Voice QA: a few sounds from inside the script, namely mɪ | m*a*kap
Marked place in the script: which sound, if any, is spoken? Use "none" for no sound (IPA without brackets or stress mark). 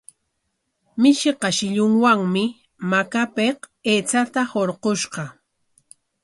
a